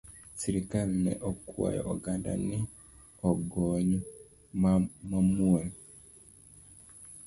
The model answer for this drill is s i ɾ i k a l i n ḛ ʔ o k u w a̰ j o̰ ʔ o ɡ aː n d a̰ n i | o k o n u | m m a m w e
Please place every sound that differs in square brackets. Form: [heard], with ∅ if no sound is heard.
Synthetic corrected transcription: s i ɾ i k a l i n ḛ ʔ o k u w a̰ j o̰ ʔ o ɡ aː n d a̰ n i | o [ɡ] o [ɲ] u | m m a m [u] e